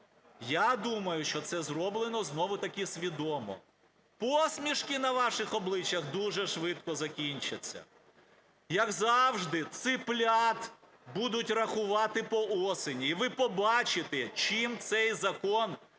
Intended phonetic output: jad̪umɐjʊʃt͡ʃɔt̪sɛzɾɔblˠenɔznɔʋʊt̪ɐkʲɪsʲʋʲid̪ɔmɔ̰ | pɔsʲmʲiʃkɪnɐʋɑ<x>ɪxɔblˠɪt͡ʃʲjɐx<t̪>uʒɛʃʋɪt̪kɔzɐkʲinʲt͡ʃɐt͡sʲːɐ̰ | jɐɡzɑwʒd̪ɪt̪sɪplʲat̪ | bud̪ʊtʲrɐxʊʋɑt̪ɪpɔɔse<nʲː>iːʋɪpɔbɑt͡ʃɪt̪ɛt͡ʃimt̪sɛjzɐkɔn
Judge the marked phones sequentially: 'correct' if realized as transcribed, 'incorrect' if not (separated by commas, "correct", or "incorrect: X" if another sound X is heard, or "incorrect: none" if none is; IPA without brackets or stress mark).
incorrect: ʃ, incorrect: d̪, incorrect: nʲ